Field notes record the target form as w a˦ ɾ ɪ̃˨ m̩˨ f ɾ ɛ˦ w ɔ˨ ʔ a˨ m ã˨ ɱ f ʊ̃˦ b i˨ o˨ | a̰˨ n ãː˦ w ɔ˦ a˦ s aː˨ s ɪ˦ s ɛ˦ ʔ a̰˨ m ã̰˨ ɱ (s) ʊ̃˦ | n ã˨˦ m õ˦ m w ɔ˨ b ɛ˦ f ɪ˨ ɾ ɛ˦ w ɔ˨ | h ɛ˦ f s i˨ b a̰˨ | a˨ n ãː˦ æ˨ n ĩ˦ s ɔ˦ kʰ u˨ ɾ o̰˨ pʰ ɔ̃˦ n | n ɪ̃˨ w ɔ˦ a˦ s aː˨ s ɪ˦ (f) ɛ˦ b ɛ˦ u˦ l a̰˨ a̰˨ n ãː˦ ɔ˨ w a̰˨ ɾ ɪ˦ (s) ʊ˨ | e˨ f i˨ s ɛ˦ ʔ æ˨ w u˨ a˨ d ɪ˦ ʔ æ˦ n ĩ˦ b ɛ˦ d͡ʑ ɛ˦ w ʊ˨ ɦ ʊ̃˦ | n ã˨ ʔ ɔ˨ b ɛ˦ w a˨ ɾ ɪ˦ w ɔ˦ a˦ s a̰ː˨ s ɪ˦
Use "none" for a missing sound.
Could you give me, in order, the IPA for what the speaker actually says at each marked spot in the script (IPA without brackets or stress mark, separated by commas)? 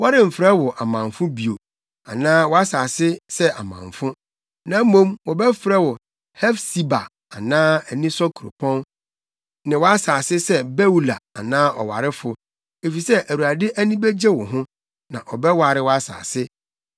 f, s, f